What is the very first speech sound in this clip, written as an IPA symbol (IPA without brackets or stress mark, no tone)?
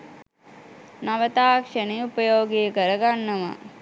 n